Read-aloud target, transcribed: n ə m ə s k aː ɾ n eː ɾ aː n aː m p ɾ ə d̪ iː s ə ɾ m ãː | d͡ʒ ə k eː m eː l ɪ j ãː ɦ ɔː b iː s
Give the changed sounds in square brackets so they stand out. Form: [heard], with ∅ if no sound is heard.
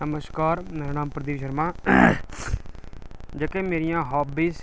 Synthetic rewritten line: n ə m ə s k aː ɾ [m] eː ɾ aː n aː m p ɾ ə d̪ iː [ʃ] ə ɾ m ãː | d͡ʒ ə k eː m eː [ɾ] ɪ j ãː ɦ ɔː b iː s